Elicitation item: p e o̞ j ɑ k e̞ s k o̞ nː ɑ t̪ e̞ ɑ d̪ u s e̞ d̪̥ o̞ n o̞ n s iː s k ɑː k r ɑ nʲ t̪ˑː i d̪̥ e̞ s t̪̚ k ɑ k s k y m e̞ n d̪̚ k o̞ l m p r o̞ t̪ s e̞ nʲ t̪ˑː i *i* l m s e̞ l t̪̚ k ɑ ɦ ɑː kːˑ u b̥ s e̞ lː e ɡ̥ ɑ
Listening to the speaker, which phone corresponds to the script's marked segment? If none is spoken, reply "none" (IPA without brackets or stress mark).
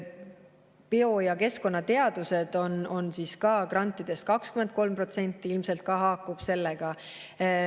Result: i